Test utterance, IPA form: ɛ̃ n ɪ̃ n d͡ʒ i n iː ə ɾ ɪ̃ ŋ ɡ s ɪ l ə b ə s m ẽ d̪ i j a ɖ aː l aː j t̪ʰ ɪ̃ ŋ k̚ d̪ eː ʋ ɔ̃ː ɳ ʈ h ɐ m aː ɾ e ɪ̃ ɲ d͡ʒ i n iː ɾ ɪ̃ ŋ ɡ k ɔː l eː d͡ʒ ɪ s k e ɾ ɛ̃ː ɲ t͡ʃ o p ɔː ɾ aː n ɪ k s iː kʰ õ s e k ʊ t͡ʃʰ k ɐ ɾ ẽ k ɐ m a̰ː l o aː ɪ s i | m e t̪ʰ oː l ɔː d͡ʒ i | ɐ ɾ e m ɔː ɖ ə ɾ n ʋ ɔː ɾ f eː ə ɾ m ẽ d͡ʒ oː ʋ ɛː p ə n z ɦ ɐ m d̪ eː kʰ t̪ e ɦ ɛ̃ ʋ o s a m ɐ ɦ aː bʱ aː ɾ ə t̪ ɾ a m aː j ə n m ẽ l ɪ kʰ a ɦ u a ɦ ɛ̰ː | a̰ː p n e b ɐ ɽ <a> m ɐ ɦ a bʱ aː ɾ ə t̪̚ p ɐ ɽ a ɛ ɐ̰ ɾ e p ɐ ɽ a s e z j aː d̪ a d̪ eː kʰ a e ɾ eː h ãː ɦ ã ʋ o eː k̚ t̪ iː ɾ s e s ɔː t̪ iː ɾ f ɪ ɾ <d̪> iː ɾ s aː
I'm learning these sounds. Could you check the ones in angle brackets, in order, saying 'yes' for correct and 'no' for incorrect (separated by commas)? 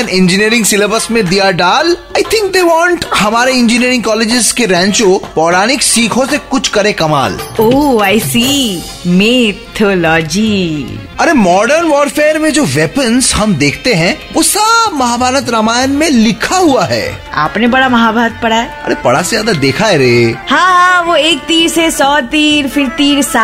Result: yes, no